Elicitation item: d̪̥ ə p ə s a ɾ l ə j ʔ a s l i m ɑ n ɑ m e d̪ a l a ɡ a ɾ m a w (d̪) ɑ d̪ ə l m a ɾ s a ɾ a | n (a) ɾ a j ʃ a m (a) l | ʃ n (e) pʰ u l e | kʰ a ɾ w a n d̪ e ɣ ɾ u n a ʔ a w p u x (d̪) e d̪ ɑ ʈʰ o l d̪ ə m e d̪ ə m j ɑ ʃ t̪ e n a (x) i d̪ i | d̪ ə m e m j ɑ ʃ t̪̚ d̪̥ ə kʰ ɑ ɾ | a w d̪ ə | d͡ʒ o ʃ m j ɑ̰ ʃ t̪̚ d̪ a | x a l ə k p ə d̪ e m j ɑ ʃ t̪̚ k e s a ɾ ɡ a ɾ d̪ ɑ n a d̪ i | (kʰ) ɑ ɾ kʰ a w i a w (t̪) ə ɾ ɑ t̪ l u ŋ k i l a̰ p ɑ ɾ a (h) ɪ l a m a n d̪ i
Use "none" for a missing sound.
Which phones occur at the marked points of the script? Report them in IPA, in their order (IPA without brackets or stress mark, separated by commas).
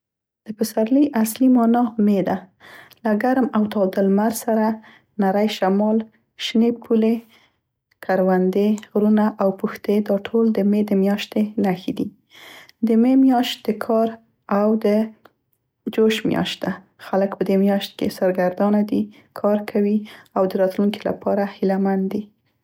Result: t̪, a, ɑ, e, t̪, x, kʰ, d̪, h